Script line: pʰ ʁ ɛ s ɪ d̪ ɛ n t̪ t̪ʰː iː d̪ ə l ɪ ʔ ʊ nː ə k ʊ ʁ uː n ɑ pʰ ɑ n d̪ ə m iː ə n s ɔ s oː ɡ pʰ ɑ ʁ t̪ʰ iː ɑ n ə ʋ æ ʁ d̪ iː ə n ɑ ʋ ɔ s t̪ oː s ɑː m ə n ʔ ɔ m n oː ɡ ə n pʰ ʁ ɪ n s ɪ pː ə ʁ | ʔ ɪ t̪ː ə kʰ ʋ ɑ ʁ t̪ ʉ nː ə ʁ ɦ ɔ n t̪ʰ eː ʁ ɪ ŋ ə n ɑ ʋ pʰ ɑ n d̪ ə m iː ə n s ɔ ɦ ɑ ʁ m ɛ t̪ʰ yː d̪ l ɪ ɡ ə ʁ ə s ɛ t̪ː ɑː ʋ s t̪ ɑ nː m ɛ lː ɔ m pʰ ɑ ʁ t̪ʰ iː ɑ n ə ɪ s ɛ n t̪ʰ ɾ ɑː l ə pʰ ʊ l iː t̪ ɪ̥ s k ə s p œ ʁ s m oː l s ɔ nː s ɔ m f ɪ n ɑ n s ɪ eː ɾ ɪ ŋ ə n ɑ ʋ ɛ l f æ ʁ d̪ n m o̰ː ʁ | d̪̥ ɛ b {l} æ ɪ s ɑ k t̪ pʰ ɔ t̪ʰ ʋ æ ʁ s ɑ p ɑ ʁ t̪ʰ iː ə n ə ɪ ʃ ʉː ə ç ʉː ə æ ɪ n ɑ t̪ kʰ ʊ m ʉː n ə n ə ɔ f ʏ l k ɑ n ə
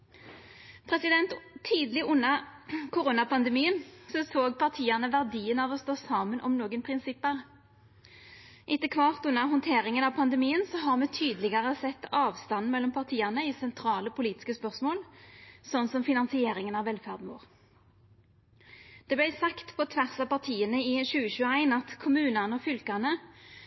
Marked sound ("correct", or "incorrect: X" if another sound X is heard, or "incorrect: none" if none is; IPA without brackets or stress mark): correct